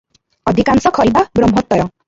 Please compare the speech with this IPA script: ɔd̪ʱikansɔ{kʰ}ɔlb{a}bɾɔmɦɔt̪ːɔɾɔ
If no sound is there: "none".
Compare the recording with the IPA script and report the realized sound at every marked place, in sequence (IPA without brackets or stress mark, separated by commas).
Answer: kʰ, a